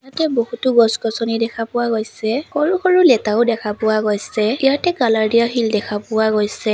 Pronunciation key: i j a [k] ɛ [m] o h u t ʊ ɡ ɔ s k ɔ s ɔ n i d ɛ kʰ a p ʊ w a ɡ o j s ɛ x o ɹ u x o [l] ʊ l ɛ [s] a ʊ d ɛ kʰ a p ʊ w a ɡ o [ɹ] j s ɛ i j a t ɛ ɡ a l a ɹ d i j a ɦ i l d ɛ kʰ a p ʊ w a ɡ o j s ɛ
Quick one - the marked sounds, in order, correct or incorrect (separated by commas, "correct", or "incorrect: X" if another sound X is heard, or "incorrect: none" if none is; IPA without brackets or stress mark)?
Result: incorrect: t, incorrect: b, incorrect: ɹ, incorrect: t, incorrect: none